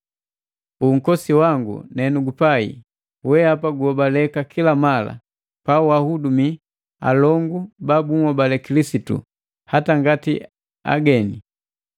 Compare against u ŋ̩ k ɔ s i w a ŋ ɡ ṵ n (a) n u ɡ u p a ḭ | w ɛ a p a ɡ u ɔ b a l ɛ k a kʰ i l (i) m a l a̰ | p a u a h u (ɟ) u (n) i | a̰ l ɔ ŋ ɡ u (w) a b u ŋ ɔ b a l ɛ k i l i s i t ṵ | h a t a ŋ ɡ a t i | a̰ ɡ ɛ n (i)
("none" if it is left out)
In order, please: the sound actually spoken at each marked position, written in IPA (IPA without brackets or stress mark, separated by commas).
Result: ɛ, a, d, m, b, i